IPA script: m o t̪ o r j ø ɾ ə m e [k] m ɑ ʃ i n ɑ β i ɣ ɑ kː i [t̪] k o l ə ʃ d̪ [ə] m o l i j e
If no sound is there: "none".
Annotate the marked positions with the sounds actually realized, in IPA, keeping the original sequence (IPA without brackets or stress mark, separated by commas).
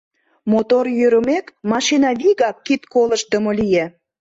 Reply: k, t̪, ə